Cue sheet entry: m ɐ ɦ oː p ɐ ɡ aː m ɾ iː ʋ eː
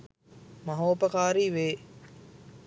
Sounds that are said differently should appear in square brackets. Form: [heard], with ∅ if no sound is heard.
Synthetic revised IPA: m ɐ ɦ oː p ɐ [k] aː [∅] ɾ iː ʋ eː